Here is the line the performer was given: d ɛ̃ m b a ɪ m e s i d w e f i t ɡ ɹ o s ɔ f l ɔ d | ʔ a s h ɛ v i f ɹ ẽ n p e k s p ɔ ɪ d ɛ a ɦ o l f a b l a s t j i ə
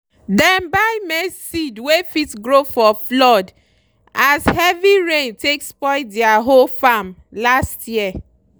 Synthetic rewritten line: d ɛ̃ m b a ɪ m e s i d w e f i t ɡ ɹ o f ɔ f l ɔ d | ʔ a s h ɛ v i ɹ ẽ n t e k s p ɔ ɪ d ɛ a ɦ o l f a m l a s t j i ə